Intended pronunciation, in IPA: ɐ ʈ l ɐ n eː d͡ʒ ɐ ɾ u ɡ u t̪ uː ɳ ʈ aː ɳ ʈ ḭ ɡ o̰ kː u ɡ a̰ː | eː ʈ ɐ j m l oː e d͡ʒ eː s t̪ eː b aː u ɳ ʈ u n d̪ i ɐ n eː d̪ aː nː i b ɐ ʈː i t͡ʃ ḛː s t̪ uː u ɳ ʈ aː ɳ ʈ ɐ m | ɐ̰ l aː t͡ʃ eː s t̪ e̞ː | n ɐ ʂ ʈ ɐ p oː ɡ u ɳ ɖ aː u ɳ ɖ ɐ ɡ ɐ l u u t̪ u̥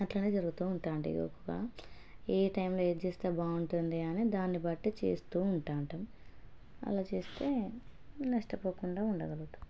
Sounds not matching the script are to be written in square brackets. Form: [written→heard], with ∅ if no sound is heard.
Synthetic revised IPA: ɐ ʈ l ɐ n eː d͡ʒ ɐ ɾ u ɡ u t̪ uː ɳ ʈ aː ɳ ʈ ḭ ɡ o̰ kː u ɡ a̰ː | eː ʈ ɐ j m l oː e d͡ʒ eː s t̪ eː b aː u ɳ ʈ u n d̪ i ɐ n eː d̪ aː nː i b ɐ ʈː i t͡ʃ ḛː s t̪ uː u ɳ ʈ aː ɳ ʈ ɐ m | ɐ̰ l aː t͡ʃ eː s t̪ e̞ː | n ɐ ʂ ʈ ɐ p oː [ɡ→k] u ɳ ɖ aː u ɳ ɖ ɐ ɡ ɐ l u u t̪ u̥